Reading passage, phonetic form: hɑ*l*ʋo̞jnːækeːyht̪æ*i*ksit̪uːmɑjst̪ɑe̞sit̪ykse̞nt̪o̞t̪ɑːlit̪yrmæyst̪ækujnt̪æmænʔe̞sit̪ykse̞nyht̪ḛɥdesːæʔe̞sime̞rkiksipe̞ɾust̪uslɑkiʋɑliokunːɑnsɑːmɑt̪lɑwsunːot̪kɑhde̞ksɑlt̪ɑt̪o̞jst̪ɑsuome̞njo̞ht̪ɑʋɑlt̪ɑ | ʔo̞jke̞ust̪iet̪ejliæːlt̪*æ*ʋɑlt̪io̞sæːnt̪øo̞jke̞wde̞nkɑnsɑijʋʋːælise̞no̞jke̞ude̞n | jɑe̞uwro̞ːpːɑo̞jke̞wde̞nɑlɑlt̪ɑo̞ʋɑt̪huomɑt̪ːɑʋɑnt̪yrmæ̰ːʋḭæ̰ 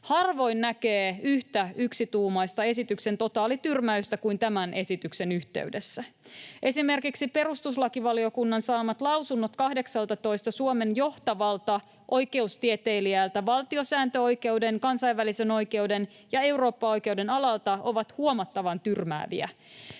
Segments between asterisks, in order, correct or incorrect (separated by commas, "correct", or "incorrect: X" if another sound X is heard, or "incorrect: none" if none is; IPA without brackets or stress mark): incorrect: r, incorrect: y, correct